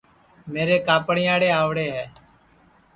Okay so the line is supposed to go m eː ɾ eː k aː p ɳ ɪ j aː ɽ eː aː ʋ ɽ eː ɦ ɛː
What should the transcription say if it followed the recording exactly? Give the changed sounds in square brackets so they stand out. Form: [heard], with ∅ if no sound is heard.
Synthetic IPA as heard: m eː ɾ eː k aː p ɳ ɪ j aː ɽ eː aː ʋ ɽ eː ɦ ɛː